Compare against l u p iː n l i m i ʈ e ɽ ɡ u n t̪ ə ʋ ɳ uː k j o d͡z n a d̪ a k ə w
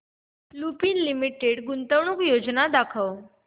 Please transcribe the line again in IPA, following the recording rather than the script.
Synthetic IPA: l u p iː n l i m i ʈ e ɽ ɡ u n t̪ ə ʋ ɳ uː k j o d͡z n a d̪ a kʰ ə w